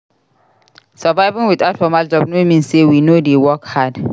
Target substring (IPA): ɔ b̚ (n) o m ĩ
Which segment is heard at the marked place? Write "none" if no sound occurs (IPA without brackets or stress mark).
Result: n